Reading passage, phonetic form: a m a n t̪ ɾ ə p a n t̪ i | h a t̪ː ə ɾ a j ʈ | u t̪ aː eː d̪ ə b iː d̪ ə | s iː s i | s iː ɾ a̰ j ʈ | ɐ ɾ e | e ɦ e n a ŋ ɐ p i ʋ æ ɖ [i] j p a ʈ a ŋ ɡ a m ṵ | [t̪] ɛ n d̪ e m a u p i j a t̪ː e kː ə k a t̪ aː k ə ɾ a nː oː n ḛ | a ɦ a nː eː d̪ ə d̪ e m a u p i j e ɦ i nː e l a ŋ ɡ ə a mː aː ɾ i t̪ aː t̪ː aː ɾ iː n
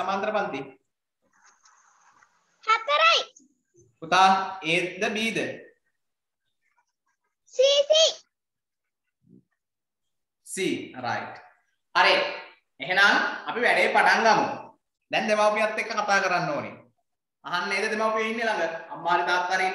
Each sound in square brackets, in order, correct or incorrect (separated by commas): incorrect, incorrect